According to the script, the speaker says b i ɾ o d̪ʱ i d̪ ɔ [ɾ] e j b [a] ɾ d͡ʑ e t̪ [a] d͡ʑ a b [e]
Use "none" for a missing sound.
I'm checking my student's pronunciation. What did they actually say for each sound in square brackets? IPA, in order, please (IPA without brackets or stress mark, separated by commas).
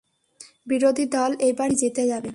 l, a, e, e